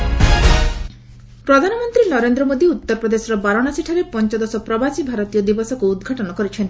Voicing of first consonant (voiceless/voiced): voiceless